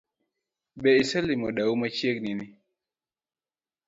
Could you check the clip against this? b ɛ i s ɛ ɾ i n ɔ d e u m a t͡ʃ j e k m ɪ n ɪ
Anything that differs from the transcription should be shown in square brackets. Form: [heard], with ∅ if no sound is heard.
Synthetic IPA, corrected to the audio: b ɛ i s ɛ [l] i [m] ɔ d [a] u m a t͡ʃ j e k [n] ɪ n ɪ